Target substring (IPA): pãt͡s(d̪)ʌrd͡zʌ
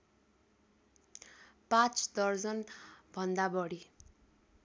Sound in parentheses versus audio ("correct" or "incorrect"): correct